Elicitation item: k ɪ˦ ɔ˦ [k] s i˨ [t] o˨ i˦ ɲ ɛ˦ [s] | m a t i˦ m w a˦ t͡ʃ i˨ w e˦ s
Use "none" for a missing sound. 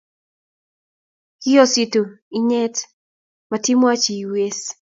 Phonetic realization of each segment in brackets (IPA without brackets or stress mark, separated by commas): none, t, t